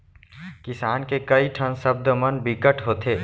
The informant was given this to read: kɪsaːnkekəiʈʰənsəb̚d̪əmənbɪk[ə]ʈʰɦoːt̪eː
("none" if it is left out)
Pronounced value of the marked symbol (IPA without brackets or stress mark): ə